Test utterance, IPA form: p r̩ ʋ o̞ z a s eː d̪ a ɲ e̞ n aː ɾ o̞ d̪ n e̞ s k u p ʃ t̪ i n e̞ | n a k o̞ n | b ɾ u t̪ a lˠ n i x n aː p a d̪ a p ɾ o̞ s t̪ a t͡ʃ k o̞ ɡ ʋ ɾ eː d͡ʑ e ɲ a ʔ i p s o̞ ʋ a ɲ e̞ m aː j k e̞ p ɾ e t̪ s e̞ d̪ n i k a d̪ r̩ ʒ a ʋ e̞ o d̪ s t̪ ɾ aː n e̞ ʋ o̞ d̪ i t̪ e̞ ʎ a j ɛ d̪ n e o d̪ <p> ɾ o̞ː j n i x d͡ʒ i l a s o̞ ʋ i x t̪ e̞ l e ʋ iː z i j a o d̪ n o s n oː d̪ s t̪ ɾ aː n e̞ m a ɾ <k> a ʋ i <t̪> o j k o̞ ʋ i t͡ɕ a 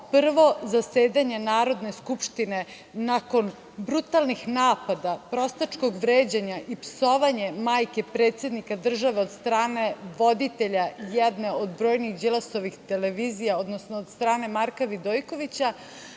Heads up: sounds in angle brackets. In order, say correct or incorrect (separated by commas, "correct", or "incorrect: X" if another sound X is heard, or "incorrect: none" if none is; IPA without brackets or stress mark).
incorrect: b, correct, incorrect: d̪